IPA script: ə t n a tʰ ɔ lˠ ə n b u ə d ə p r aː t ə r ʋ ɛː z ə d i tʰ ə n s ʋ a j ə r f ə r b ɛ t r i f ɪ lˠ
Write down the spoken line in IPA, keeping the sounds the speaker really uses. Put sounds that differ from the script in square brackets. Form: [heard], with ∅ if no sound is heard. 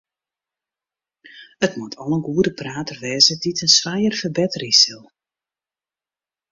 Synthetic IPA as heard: ə t [m] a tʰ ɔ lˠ ə n [ɡ] u ə d ə p r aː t ə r ʋ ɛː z ə d i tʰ ə n s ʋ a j ə r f ə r b ɛ t r i [s] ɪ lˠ